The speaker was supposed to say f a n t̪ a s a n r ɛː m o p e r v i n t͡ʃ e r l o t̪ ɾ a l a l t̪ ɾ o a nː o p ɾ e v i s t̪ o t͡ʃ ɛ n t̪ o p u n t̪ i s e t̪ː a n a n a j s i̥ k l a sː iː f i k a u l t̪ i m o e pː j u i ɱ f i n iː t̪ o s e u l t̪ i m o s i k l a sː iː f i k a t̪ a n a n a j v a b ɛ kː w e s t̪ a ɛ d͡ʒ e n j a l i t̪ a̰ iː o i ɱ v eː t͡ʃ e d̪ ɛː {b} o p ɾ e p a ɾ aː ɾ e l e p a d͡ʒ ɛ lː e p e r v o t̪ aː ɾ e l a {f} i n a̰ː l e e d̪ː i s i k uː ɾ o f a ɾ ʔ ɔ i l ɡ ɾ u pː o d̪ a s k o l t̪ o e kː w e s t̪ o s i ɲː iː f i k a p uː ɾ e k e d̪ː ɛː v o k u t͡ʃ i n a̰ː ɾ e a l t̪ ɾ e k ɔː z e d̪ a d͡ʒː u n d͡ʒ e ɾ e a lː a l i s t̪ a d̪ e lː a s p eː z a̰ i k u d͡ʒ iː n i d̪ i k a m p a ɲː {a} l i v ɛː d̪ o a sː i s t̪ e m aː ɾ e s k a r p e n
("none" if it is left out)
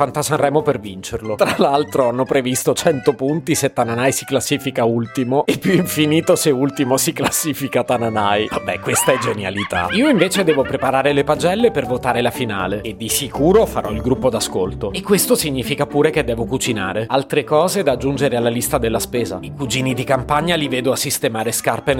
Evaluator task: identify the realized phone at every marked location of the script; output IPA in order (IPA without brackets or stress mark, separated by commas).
v, f, a